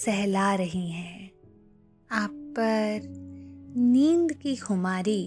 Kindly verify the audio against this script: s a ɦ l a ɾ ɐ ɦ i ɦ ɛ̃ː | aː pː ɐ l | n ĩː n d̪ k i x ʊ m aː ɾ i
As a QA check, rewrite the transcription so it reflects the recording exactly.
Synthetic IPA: s ɛ ɦ l a ɾ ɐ ɦ i ɦ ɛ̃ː | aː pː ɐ ɾ | n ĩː n d̪ k i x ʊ m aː ɾ i